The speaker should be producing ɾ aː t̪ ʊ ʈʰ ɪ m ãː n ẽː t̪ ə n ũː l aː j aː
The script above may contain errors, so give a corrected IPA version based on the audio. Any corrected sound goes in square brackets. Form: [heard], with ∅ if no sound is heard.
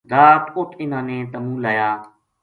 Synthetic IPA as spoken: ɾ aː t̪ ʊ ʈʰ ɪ [n] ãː n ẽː t̪ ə [m] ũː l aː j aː